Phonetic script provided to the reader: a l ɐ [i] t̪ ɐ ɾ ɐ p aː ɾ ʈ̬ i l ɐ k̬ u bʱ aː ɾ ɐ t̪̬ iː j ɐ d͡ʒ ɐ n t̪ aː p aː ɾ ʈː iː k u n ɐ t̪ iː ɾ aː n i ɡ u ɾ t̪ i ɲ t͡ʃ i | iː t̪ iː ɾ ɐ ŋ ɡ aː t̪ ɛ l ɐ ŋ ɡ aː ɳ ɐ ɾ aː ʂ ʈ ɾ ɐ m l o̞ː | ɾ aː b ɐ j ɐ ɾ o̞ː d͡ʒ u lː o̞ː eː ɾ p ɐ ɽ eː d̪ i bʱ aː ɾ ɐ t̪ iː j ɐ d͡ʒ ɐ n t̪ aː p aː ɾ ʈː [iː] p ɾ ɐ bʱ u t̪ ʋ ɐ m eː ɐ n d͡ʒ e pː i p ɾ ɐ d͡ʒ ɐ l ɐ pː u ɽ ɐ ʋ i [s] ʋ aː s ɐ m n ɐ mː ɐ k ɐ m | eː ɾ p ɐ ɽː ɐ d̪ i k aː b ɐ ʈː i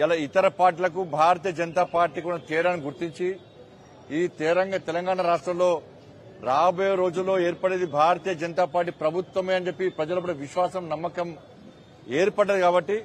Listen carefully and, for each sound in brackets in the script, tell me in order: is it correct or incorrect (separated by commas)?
correct, incorrect, incorrect